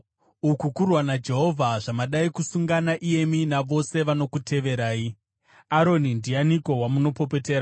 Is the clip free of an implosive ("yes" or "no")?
no